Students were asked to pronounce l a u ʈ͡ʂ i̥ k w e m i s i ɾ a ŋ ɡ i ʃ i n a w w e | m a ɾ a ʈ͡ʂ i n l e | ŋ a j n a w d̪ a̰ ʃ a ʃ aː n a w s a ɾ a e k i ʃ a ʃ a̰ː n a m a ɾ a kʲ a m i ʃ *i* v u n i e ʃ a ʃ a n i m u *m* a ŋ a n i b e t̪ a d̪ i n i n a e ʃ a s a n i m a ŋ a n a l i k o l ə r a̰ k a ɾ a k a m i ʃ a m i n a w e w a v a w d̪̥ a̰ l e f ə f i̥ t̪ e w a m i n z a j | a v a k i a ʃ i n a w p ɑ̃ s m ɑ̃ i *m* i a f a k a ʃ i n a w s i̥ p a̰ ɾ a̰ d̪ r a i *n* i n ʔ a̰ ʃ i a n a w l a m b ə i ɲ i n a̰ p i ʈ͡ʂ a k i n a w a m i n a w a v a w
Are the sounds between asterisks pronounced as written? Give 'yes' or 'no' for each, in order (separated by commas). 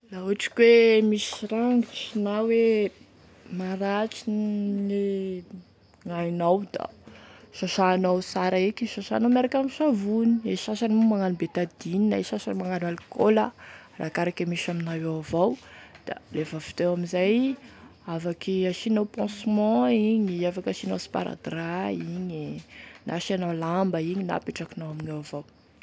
no, yes, no, no